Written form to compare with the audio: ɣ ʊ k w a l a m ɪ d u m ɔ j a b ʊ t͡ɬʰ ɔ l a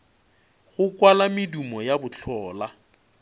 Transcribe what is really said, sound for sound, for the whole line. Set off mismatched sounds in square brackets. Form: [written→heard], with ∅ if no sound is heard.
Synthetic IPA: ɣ ʊ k w a l a m ɪ d u m ɔ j a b ʊ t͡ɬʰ [ɔ→ɔː] l a